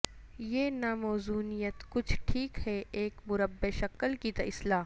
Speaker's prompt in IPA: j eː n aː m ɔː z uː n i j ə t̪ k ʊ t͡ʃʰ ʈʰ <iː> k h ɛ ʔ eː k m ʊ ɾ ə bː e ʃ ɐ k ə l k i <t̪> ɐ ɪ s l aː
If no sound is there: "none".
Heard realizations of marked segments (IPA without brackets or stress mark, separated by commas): iː, t̪